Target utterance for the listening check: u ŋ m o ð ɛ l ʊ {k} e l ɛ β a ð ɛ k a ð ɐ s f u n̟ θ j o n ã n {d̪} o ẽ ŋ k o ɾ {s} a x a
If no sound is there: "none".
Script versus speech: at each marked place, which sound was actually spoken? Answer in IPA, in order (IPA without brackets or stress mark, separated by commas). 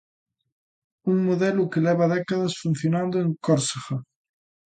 k, d̪, s